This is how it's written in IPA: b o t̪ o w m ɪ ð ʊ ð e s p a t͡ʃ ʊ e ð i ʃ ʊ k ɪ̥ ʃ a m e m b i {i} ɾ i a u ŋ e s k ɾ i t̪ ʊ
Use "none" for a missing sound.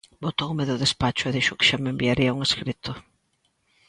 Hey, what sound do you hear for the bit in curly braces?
a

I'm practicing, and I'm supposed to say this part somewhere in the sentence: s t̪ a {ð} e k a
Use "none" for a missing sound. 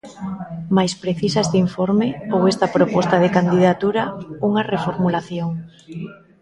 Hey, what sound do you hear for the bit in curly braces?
ð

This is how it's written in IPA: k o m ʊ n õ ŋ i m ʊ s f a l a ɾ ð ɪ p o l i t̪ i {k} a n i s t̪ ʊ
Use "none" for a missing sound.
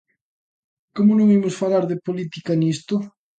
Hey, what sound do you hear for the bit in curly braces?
k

